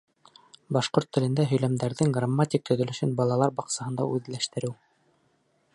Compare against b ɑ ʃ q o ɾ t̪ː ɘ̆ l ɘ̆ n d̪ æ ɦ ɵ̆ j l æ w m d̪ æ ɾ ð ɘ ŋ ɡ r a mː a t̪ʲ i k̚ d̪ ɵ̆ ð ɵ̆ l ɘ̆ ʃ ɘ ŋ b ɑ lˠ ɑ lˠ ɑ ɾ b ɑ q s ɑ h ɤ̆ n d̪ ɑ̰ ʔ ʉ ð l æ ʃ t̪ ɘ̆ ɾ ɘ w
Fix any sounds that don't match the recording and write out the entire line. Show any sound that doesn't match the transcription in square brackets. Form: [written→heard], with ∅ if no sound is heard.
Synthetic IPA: b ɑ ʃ q o ɾ t̪ː ɘ̆ l ɘ̆ n d̪ æ ɦ ɵ̆ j l æ [w→∅] m d̪ æ ɾ ð ɘ ŋ ɡ r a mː a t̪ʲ i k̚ [d̪→t̪] ɵ̆ ð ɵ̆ l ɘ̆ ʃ ɘ [ŋ→n] b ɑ lˠ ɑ lˠ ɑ ɾ b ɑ q s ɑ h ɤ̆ n d̪ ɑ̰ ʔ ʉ ð l æ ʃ t̪ ɘ̆ ɾ ɘ w